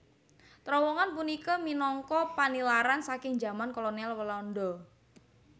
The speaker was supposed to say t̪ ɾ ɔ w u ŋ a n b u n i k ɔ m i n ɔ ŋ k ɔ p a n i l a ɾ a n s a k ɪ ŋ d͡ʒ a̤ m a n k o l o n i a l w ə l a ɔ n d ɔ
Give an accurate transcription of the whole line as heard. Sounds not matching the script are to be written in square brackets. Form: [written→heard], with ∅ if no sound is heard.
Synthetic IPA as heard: t̪ ɾ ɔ w [u→ɔ] ŋ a n [b→p] u n i k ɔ m i n ɔ ŋ k ɔ p a n i l a ɾ a n s a k ɪ ŋ d͡ʒ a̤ m a n k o l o n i a l w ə l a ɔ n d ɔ